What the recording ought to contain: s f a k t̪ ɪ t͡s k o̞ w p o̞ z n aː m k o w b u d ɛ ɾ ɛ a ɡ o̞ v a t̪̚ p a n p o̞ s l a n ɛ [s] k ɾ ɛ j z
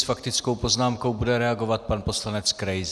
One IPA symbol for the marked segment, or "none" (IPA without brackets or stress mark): t͡s